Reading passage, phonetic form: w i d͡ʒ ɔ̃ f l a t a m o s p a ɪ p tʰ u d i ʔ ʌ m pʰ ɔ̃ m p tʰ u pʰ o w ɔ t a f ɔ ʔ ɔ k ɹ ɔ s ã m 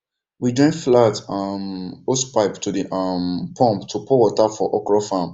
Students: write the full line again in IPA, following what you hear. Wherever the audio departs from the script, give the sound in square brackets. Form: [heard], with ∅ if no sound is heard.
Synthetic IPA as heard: w i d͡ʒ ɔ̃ f l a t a m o s p a ɪ p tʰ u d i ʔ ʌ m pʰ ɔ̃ m p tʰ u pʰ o w ɔ t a f ɔ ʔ ɔ k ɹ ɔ [f] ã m